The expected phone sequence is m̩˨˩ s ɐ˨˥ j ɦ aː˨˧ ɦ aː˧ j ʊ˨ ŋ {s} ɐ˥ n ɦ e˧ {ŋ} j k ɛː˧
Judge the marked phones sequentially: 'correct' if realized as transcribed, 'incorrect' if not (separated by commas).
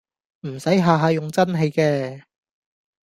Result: incorrect, incorrect